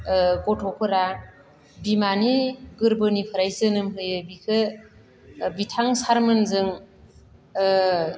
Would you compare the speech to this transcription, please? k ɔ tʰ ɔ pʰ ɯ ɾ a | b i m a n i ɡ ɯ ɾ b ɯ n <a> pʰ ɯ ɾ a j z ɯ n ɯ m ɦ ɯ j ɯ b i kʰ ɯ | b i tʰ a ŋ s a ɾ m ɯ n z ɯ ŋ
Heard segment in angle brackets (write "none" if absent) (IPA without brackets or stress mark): i